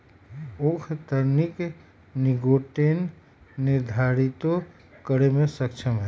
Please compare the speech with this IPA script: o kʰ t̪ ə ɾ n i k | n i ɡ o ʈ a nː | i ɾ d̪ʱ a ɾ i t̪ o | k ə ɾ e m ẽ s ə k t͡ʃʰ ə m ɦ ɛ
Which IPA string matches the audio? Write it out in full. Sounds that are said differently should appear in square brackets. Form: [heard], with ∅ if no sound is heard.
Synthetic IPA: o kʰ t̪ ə ɾ n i k | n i ɡ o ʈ [e] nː | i ɾ d̪ʱ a ɾ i t̪ o | k ə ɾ e m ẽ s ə k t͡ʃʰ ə m ɦ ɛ